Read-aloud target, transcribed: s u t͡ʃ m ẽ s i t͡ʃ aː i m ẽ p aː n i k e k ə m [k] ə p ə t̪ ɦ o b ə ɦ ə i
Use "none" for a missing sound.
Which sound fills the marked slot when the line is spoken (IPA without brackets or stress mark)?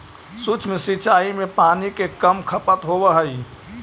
kʰ